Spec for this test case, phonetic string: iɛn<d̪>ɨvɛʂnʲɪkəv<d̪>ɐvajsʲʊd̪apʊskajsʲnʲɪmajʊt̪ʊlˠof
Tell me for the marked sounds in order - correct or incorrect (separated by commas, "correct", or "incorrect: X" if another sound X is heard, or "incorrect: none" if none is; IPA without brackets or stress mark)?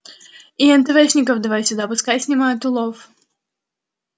incorrect: t̪, correct